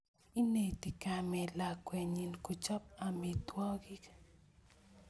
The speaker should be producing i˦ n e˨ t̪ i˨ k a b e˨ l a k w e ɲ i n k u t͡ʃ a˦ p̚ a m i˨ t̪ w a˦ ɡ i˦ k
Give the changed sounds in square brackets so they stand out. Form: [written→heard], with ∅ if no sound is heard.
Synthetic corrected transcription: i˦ n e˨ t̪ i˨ k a [b→m] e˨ l a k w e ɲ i n k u t͡ʃ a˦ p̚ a m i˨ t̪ w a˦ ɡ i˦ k